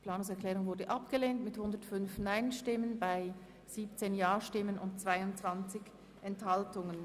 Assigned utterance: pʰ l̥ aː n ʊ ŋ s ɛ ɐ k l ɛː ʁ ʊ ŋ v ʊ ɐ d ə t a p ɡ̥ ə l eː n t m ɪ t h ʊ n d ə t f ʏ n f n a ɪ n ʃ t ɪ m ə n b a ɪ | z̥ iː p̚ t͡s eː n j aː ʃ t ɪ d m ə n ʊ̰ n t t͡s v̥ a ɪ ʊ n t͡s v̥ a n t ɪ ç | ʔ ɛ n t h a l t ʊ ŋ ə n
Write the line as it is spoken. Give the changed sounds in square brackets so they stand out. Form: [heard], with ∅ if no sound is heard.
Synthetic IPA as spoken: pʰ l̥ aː n ʊ ŋ s ɛ ɐ k l ɛː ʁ ʊ ŋ v ʊ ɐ d ə [ʔ] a p ɡ̥ ə l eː n t m ɪ t h ʊ n d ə t f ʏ n f n a ɪ n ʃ t ɪ m ə n b a ɪ | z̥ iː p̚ t͡s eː n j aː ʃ t ɪ [∅] m ə n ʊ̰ n t t͡s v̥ a ɪ ʊ n t͡s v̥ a n [t͡s] ɪ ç | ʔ ɛ n t h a l t ʊ ŋ ə n